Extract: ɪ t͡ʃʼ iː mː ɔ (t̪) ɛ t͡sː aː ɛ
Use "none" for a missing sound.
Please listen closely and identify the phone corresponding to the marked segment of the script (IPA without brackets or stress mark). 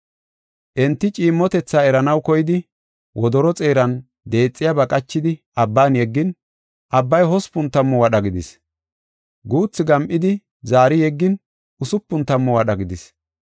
t̪